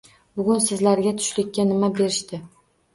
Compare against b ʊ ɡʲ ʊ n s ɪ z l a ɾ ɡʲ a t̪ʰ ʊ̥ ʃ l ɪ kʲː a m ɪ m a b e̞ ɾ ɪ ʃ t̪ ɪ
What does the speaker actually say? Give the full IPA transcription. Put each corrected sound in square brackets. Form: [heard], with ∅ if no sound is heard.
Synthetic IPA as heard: b ʊ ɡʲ ʊ n s ɪ z l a ɾ ɡʲ a t̪ʰ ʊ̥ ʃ l ɪ kʲː a [n] ɪ m a b e̞ ɾ ɪ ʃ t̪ ɪ